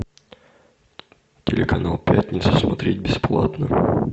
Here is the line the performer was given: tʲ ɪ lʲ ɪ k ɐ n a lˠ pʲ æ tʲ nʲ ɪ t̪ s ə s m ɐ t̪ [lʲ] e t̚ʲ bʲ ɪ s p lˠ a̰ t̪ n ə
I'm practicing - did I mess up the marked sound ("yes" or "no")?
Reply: yes